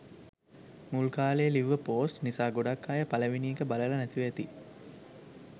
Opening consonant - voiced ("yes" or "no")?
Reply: yes